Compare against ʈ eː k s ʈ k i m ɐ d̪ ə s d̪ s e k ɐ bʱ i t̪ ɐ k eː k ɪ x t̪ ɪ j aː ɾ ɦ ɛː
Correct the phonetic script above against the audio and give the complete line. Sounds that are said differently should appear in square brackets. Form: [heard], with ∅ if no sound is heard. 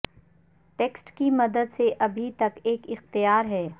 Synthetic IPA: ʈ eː k s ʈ k i m ɐ d̪ ə [∅] d̪ s e [ʔ] ɐ bʱ i t̪ ɐ k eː k ɪ x t̪ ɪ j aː ɾ ɦ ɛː